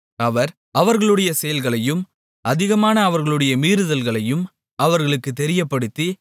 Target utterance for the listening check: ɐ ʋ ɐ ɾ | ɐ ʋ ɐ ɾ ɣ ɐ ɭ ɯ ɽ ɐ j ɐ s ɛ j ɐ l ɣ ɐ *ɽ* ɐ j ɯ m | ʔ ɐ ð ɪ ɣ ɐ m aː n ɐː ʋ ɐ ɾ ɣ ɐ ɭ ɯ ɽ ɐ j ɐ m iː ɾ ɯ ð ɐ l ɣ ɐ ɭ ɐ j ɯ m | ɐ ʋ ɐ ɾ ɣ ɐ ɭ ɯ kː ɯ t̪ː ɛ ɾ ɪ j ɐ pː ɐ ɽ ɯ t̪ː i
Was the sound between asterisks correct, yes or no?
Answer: no